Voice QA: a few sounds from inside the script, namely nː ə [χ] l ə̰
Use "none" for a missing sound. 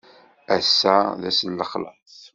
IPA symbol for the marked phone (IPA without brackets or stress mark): χ